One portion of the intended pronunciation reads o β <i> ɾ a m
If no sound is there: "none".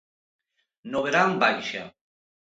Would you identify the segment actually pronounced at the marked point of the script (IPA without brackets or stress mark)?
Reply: e